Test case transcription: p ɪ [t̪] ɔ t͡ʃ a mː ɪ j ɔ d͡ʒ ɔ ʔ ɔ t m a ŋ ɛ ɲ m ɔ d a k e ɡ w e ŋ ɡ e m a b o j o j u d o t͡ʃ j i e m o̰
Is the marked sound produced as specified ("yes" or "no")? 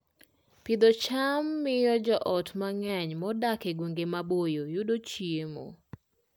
no